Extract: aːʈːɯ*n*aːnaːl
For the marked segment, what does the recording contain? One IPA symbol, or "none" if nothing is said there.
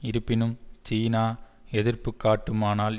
m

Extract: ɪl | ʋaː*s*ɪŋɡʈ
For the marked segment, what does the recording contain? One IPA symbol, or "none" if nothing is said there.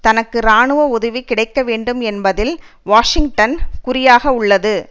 ʂ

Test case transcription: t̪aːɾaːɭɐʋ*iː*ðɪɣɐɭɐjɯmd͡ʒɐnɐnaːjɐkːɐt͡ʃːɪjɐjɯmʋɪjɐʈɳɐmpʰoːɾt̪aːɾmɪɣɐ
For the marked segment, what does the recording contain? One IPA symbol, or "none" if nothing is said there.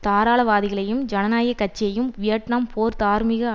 aː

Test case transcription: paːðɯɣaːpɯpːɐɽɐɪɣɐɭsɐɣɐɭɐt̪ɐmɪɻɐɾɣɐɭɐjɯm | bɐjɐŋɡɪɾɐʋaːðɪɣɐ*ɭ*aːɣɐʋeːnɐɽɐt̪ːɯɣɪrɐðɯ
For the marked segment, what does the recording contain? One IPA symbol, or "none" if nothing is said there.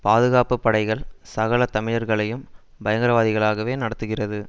ɭ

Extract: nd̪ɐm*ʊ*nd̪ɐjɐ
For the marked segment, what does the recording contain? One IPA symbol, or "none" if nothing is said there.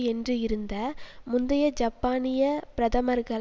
ʊ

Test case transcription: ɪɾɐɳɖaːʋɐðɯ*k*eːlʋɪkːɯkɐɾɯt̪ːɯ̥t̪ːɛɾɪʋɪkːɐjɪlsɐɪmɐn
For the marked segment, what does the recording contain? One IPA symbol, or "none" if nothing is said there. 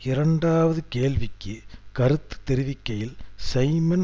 k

